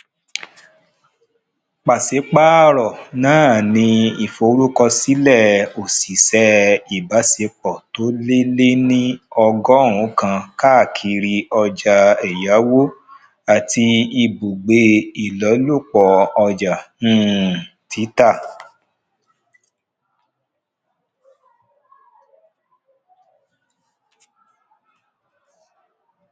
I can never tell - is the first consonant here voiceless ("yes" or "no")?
yes